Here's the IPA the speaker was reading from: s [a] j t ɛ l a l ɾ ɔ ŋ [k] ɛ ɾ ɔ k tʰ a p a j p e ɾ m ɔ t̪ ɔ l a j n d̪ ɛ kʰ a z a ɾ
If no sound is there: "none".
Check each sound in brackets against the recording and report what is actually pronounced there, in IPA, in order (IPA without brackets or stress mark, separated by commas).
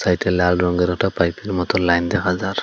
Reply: a, ɡ